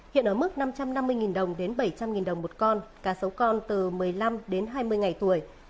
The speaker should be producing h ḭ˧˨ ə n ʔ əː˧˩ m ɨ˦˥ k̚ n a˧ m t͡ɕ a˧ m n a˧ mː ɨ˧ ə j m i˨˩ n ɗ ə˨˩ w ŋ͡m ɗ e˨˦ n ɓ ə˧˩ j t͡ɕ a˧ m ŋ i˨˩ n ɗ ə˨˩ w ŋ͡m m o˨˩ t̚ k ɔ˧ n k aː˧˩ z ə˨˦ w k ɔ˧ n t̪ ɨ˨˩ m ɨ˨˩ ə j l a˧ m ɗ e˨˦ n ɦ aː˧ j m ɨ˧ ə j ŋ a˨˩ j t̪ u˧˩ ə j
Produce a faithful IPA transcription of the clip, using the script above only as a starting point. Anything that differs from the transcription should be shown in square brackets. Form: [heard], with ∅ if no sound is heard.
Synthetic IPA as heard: h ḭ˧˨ ə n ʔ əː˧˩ m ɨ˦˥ k̚ n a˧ m t͡ɕ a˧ m n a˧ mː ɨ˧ ə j [ŋ] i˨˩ n ɗ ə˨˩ w ŋ͡m ɗ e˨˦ n ɓ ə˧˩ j t͡ɕ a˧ m ŋ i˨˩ n ɗ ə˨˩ w ŋ͡m m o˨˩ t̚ k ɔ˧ n k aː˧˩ [s] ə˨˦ w k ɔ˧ n t̪ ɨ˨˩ m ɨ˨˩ ə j l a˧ m ɗ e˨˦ n ɦ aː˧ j m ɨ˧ ə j ŋ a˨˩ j t̪ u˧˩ ə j